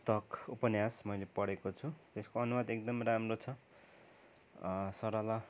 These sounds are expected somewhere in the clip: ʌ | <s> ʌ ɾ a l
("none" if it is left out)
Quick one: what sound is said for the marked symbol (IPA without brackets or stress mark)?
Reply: s